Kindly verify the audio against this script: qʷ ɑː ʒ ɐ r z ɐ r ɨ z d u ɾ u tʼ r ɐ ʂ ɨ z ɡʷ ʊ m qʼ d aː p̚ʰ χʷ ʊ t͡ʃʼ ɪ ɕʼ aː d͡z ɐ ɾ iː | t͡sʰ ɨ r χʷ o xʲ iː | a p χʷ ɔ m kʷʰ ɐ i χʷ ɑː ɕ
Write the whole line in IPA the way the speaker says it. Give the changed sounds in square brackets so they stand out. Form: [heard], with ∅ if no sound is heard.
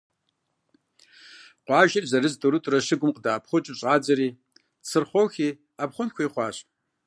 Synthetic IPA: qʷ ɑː ʒ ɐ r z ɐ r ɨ z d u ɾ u tʼ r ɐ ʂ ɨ [∅] ɡʷ ʊ m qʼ d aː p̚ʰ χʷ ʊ t͡ʃʼ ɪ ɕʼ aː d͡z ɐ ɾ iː | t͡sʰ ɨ r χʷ o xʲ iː | a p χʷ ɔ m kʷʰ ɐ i χʷ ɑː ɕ